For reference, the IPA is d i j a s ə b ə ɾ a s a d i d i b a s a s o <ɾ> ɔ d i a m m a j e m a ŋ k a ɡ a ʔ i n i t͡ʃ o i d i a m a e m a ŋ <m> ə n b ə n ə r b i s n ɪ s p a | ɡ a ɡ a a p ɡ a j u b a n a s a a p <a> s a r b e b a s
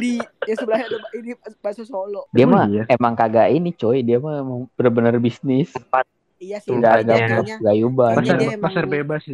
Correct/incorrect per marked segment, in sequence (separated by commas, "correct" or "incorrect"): incorrect, incorrect, correct